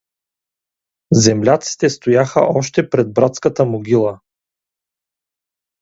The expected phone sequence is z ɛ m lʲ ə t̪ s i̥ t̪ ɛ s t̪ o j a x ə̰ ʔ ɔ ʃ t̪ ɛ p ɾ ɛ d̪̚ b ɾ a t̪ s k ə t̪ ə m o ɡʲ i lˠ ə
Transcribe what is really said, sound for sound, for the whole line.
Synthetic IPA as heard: z ɛ m lʲ a t̪ s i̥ t̪ ɛ s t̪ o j a x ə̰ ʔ ɔ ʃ t̪ ɛ p ɾ ɛ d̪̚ b ɾ a t̪ s k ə t̪ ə m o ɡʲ i lˠ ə